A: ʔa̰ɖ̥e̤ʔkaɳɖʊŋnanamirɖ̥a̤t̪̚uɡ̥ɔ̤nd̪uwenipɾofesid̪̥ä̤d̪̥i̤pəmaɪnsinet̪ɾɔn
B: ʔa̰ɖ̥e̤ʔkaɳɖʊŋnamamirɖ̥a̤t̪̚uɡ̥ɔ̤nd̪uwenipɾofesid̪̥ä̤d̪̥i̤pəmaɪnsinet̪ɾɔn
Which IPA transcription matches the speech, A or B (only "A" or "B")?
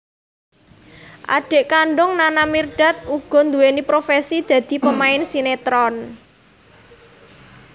A